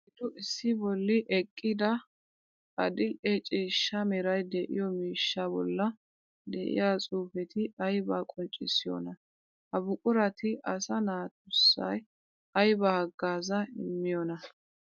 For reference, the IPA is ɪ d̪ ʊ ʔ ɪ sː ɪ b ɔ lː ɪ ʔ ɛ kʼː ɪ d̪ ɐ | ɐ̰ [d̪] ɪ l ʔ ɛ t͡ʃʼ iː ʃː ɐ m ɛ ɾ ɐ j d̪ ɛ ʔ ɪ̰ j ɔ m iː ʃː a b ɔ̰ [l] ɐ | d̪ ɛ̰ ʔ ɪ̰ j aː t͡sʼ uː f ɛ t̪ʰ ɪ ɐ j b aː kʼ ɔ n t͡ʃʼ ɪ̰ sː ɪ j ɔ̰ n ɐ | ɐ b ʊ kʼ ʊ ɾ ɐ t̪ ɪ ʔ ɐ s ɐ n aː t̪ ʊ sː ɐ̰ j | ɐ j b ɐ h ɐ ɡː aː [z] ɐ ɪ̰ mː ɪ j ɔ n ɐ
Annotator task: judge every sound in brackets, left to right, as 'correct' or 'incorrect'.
correct, incorrect, correct

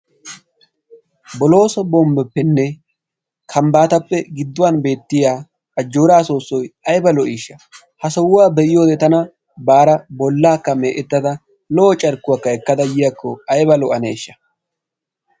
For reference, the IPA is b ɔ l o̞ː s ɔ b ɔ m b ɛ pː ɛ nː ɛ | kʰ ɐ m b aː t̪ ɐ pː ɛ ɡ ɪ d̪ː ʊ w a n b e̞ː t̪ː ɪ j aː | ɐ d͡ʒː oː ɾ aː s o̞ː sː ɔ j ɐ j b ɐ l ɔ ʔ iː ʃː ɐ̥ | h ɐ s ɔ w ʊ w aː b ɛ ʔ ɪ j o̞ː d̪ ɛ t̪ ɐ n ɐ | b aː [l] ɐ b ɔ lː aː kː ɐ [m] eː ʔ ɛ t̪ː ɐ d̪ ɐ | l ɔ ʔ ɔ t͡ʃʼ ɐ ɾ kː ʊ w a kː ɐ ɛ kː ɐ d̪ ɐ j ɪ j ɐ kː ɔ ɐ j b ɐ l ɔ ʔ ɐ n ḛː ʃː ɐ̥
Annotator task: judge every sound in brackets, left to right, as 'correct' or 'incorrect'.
incorrect, correct

